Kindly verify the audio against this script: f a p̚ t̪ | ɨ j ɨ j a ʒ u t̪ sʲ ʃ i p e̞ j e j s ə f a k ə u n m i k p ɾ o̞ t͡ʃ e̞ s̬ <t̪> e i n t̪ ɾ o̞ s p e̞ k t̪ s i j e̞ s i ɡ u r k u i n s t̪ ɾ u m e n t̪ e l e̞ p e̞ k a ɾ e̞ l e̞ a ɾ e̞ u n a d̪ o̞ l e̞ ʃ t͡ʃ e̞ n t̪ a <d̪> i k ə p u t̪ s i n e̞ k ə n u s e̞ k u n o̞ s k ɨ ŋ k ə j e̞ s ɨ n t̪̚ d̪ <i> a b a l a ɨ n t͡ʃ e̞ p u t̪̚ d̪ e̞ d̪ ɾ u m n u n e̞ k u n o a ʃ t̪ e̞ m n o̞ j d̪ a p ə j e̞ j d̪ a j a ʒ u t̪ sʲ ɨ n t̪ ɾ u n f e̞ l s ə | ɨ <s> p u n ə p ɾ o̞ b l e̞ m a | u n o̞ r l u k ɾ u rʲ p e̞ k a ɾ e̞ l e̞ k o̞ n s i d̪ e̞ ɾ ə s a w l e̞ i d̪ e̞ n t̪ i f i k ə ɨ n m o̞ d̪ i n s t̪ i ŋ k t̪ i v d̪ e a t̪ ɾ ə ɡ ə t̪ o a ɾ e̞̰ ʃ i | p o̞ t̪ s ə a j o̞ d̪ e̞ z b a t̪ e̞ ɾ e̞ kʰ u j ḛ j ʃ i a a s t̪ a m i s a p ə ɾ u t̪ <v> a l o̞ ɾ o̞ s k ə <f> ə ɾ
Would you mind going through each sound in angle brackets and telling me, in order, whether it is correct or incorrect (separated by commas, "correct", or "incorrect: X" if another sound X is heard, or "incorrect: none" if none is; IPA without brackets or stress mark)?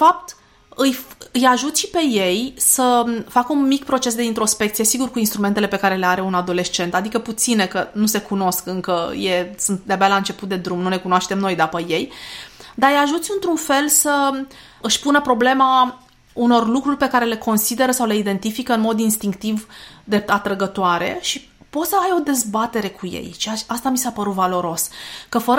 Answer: incorrect: d̪, correct, incorrect: e, incorrect: ʃ, correct, correct